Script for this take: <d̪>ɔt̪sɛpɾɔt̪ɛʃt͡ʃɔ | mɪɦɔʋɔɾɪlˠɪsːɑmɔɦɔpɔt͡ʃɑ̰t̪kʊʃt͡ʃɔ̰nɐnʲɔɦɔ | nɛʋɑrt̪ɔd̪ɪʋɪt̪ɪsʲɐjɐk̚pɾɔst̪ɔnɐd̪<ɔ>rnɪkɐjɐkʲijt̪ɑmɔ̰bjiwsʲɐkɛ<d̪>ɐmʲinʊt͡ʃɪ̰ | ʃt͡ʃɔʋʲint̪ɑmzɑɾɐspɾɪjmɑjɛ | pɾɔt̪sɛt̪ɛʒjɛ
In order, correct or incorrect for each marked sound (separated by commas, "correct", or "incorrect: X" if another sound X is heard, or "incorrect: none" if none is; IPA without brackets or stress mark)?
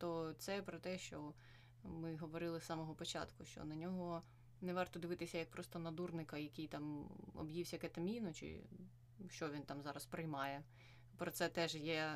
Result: incorrect: t̪, incorrect: u, incorrect: t̪